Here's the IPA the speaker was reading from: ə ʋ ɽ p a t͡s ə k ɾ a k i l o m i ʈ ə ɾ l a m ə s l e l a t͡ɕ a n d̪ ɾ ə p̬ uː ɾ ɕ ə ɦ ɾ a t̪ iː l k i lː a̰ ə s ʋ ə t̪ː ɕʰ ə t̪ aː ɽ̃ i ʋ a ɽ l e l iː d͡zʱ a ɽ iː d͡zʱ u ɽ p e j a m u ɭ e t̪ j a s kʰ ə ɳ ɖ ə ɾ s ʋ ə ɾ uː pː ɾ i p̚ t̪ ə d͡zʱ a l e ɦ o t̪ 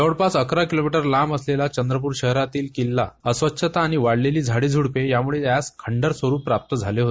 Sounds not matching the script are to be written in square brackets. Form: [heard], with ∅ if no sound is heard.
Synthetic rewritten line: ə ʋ ɽ p a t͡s ə k ɾ a k i l o m i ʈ ə ɾ l a m ə s l e l a t͡ɕ [ə] n d̪ ɾ ə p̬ uː ɾ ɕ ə ɦ ɾ a t̪ iː l k i lː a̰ ə s ʋ ə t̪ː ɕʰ ə t̪ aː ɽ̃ i ʋ a ɽ l e l iː d͡zʱ a ɽ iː d͡zʱ u ɽ p e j a m u ɭ e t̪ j a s kʰ ə ɳ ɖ ə ɾ s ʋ ə ɾ uː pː ɾ [a] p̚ t̪ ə d͡zʱ a l e ɦ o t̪